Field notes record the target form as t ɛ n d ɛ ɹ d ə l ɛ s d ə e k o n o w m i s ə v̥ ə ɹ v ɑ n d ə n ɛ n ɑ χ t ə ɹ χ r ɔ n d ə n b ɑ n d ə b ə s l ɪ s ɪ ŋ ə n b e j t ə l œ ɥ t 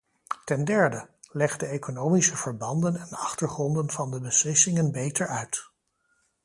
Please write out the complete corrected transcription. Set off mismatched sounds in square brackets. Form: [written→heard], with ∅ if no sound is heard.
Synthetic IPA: t ɛ n d ɛ ɹ d ə l ɛ [s→χ] d ə e k o n o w m i s ə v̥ ə ɹ [v→b] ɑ n d ə n ɛ n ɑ χ t ə ɹ χ r ɔ n d ə n [b→v] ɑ n d ə b ə s l ɪ s ɪ ŋ ə n b e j t ə [l→ɹ] œ ɥ t

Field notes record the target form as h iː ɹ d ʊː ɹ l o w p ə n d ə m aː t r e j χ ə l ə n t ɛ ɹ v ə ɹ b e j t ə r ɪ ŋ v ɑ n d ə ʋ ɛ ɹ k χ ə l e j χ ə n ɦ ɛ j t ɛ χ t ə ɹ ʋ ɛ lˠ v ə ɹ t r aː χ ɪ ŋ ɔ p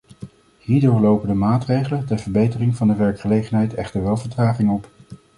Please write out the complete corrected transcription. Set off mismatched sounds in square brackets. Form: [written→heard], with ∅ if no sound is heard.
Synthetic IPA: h iː ɹ d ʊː ɹ l o w p ə n d ə m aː t r e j χ ə l ə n t ɛ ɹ v ə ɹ b e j t ə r ɪ ŋ v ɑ n d ə ʋ ɛ ɹ k χ ə l e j χ ə n ɦ ɛ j t ɛ χ t ə ɹ ʋ ɛ lˠ v ə ɹ t r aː χ ɪ ŋ ɔ p

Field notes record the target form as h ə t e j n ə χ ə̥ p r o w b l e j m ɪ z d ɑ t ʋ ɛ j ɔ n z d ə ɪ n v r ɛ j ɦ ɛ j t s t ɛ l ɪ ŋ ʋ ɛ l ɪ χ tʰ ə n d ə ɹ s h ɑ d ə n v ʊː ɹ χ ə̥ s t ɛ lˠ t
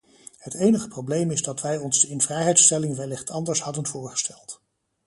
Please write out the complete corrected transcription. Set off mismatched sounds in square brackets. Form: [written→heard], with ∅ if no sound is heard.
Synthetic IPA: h ə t e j n ə χ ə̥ p r o w b l e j m ɪ z d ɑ t ʋ ɛ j ɔ n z d ə ɪ n v r ɛ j ɦ ɛ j t s t ɛ l ɪ ŋ ʋ ɛ l ɪ χ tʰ [ə→ɑ] n d ə ɹ s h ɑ d ə n v ʊː ɹ χ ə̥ s t ɛ lˠ t

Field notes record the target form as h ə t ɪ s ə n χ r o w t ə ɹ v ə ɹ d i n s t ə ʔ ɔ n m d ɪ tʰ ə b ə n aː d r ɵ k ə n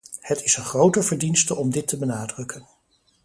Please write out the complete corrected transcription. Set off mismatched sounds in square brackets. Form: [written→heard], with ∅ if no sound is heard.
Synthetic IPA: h ə t ɪ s ə n χ r o w t ə ɹ v ə ɹ d i n s t ə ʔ ɔ [n→∅] m d ɪ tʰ ə b ə n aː d r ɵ k ə n

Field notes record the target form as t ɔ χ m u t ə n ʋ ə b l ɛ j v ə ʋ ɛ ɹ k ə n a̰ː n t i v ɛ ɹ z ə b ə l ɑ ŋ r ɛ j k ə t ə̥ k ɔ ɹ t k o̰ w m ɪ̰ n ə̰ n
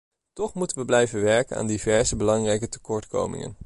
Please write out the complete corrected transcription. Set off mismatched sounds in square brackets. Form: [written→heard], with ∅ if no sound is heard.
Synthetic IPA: t ɔ χ m u t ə n ʋ ə b l ɛ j v ə ʋ ɛ ɹ k ə n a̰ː n [t→d] i v ɛ ɹ z ə b ə l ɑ ŋ r ɛ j k ə t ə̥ k ɔ ɹ t k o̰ w m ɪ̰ [n→ŋ] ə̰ n

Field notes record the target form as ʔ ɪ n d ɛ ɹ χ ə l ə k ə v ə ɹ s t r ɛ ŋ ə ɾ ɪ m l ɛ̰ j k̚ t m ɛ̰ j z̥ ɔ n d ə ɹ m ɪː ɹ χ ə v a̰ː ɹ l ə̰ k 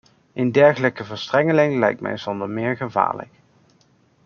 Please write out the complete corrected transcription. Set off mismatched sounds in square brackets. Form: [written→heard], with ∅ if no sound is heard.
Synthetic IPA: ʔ ɪ n d ɛ ɹ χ ə l ə k ə v ə ɹ s t r ɛ ŋ ə [ɾ→l] ɪ [m→ŋ] l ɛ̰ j k̚ t m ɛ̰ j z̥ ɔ n d ə ɹ m ɪː ɹ χ ə v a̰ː ɹ l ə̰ k

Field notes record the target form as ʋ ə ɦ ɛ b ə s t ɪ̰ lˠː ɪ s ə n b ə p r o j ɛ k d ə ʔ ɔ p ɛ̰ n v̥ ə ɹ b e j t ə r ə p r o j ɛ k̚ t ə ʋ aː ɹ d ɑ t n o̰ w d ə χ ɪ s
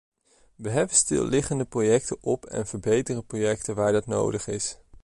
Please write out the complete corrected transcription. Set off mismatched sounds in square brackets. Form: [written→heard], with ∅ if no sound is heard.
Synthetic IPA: ʋ ə ɦ ɛ b ə s t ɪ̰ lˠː ɪ [s→χ] ə n [b→d] ə p r o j ɛ k [d→t] ə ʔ ɔ p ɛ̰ n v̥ ə ɹ b e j t ə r ə p r o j ɛ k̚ t ə ʋ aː ɹ d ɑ t n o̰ w d ə χ ɪ s

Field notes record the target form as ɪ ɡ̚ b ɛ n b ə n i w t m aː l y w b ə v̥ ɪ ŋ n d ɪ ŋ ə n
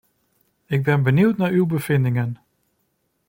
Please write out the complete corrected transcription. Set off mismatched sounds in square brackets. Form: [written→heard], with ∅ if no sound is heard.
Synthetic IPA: ɪ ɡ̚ b ɛ n b ə n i w t [m→n] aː [l→ɹ] y w b ə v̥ ɪ [ŋ→∅] n d ɪ ŋ ə n

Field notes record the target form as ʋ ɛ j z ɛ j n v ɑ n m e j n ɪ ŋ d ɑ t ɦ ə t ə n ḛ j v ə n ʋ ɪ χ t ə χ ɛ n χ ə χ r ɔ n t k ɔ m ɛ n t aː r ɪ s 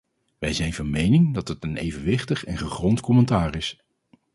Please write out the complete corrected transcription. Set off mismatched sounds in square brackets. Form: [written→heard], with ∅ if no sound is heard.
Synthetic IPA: ʋ ɛ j z ɛ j n v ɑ n m e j n ɪ ŋ d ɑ t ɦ ə t ə n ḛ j v ə n ʋ ɪ χ t ə χ ɛ n χ ə χ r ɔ n t k ɔ m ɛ n t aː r ɪ s

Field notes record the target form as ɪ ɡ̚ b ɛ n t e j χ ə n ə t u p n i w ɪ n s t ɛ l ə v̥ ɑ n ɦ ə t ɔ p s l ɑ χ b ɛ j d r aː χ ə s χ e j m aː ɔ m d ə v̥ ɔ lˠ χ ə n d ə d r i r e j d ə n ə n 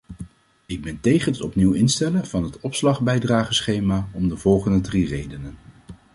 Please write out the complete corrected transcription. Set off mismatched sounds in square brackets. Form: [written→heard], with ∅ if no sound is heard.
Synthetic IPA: ɪ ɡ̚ b ɛ n t e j χ ə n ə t [u→ɔ] p n i w ɪ n s t ɛ l ə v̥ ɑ n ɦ ə t ɔ p s l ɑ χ b ɛ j d r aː χ ə s χ e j m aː ɔ m d ə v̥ ɔ lˠ χ ə n d ə d r i r e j d ə n ə n

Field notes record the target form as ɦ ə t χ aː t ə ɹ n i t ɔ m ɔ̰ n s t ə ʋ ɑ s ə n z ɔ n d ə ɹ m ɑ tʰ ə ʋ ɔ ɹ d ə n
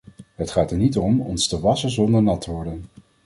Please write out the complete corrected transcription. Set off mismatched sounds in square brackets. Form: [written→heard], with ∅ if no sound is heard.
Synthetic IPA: ɦ ə t χ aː t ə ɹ n i t ɔ m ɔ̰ n s t ə ʋ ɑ s ə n z ɔ n d ə ɹ [m→n] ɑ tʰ ə ʋ ɔ ɹ d ə n

